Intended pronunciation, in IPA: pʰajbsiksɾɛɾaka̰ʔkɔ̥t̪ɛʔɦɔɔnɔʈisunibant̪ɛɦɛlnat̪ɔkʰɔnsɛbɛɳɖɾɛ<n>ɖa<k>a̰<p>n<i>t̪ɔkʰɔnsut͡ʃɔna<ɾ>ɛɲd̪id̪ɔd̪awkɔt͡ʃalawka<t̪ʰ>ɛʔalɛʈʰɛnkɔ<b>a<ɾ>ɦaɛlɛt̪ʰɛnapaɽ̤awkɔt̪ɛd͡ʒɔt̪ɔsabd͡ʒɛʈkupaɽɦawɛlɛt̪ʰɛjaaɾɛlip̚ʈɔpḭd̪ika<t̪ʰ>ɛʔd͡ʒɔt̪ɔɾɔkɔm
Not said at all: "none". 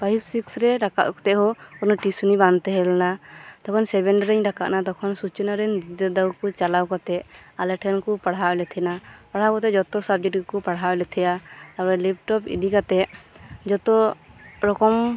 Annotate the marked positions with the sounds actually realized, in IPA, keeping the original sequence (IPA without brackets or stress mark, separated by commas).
ɲ, k, ʔ, a, ɾ, t̪, p, ɽ, t̪